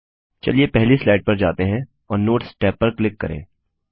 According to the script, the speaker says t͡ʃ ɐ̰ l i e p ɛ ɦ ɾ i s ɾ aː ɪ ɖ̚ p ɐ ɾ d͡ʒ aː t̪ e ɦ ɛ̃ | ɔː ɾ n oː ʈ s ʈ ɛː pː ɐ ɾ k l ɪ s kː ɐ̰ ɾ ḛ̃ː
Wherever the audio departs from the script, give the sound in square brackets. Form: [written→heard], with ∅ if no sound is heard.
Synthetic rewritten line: t͡ʃ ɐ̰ l i e p ɛ ɦ [ɾ→l] i s [ɾ→l] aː ɪ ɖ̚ p ɐ ɾ d͡ʒ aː t̪ e ɦ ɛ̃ | ɔː ɾ n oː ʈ s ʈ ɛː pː ɐ ɾ k l ɪ [s→∅] kː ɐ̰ ɾ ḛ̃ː

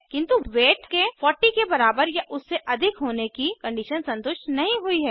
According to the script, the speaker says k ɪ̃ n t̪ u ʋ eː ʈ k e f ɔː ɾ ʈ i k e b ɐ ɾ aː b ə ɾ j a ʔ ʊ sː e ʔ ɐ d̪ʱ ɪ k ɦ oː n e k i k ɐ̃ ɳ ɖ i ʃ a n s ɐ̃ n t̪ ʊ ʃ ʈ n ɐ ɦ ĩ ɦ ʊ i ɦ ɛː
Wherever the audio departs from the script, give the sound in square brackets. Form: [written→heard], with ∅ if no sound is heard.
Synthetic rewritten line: k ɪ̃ n t̪ u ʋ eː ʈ k e f ɔː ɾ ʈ i k e b ɐ ɾ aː b ə ɾ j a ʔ ʊ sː e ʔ ɐ d̪ʱ ɪ k ɦ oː n e k i k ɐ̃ ɳ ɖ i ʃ [a→ə] n s ɐ̃ n t̪ ʊ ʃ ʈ n ɐ ɦ ĩ ɦ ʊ i ɦ ɛː

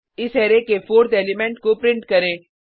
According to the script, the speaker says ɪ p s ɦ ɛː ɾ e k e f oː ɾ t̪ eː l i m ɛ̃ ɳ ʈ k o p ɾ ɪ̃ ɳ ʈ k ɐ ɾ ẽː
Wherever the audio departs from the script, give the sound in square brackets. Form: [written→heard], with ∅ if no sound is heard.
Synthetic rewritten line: ɪ [p→∅] s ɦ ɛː ɾ e k e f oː ɾ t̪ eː l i m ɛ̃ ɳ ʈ k o p ɾ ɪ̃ ɳ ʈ k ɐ ɾ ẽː

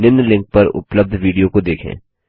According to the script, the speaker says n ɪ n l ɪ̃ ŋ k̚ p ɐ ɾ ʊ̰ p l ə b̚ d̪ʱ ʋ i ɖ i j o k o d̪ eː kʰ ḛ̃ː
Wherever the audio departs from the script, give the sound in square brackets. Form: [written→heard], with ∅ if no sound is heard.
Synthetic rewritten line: n ɪ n l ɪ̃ ŋ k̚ p ɐ ɾ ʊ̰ p l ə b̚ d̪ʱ ʋ [i→iː] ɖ i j o k o d̪ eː kʰ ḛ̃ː

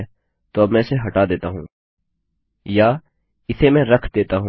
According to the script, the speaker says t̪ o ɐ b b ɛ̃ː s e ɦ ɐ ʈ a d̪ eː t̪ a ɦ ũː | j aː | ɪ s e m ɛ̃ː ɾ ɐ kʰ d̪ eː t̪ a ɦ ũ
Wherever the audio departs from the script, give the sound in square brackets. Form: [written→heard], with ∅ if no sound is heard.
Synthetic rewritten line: t̪ o ɐ b [b→m] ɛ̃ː s e ɦ ɐ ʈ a d̪ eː t̪ a ɦ ũː | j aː | ɪ s e m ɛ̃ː ɾ ɐ kʰ d̪ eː t̪ a ɦ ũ

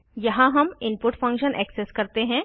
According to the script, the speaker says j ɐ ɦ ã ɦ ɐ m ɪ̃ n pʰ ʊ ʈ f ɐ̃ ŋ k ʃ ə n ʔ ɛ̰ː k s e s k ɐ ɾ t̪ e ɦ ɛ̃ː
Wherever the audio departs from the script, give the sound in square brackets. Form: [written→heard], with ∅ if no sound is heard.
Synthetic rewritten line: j ɐ ɦ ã ɦ ɐ m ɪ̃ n [pʰ→p] ʊ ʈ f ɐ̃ ŋ k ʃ ə n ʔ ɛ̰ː k s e s k ɐ ɾ t̪ e ɦ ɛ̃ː

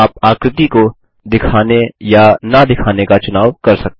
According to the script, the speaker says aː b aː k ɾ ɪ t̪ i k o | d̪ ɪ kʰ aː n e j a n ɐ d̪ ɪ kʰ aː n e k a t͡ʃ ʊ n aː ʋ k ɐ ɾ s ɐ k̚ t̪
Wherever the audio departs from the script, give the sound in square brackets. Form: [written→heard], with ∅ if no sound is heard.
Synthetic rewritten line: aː [b→p] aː k ɾ ɪ t̪ i k o | d̪ ɪ kʰ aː n e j a n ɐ d̪ ɪ kʰ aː n e k a t͡ʃ ʊ n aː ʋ k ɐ ɾ s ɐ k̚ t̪

